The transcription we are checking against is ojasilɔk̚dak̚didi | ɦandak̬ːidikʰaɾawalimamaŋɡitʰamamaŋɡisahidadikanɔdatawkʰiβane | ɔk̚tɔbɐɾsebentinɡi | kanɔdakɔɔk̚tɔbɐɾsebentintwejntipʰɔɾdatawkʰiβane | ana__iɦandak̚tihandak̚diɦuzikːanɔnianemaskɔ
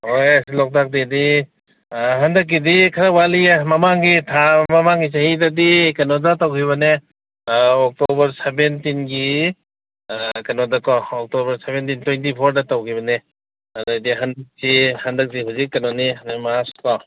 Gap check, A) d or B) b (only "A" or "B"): A